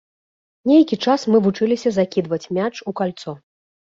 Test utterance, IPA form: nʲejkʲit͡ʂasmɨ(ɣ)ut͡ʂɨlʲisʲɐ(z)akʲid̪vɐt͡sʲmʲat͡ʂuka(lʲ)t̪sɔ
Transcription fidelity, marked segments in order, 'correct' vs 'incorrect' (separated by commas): incorrect, correct, correct